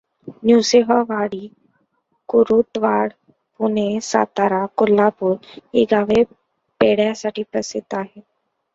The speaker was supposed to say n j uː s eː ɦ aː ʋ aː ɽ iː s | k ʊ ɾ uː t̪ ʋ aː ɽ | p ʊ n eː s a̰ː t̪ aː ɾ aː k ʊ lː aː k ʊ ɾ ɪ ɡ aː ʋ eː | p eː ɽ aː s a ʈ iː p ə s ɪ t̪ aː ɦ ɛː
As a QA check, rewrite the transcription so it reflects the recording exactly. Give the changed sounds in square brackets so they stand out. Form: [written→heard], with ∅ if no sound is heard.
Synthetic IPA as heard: n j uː s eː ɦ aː ʋ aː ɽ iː [s→∅] | k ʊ ɾ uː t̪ ʋ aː ɽ | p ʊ n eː s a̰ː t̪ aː ɾ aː k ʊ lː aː [k→p] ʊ ɾ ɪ ɡ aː ʋ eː | p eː ɽ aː s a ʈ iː p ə s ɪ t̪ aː ɦ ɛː